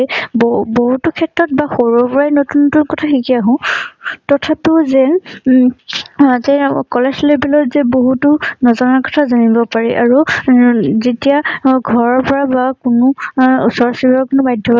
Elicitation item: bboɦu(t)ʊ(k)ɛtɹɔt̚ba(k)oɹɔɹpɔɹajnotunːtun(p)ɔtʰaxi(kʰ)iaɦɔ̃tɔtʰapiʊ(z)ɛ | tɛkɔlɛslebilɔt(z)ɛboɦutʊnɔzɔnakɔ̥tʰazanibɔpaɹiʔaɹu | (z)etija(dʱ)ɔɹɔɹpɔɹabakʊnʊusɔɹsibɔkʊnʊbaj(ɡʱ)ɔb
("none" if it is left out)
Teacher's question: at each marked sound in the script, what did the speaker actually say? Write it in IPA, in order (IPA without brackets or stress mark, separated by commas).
t, kʰ, x, k, k, z, z, z, ɡʱ, dʱ